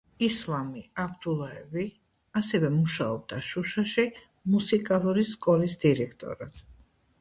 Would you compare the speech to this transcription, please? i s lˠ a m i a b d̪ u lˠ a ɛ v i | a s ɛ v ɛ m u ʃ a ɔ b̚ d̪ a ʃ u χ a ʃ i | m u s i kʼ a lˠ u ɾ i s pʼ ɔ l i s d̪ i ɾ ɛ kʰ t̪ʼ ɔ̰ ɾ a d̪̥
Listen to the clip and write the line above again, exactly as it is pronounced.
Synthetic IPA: i s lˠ a m i a b d̪ u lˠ a ɛ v i | a s ɛ v ɛ m u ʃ a ɔ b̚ d̪ a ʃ u ʃ a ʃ i | m u s i kʼ a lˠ u ɾ i s kʼ ɔ l i s d̪ i ɾ ɛ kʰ t̪ʼ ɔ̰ ɾ a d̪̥